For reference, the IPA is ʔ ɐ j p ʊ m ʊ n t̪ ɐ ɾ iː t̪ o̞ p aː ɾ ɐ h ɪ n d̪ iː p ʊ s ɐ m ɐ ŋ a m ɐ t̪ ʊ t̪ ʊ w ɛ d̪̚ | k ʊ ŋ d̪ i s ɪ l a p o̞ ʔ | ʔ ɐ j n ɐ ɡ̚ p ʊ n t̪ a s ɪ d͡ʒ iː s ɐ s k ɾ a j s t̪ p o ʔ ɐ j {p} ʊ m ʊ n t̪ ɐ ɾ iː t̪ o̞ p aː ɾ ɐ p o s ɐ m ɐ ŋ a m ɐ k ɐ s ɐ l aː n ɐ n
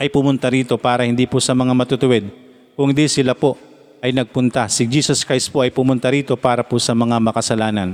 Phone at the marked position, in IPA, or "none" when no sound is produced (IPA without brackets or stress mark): p